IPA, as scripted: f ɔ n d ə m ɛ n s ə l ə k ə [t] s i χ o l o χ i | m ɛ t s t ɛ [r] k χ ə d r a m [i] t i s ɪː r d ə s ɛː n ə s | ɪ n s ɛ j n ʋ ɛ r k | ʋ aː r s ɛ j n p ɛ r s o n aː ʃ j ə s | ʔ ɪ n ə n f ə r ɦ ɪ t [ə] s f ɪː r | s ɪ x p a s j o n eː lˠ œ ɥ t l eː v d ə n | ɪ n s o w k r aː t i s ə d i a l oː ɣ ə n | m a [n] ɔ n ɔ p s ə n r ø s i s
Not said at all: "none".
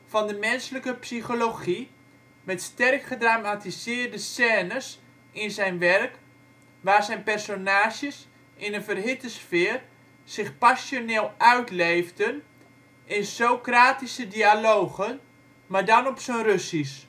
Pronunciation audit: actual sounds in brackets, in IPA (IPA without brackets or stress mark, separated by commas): p, r, a, ə, d